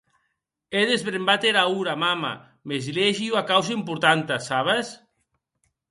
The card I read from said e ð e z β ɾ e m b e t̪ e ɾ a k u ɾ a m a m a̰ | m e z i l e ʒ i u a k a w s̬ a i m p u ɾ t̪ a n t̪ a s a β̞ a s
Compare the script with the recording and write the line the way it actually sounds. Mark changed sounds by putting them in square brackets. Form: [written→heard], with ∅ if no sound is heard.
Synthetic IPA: e ð e z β ɾ e m b [e→a] t̪ e ɾ a [k→∅] u ɾ a m a m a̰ | m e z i l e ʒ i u a k a w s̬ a i m p u ɾ t̪ a n t̪ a s a β̞ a s